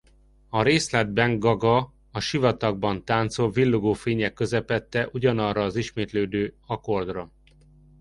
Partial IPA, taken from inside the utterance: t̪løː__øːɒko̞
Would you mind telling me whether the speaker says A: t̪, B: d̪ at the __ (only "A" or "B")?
B